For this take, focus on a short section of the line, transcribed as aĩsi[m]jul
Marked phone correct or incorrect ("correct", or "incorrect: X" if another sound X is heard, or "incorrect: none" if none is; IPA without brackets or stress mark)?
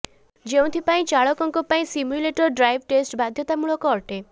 correct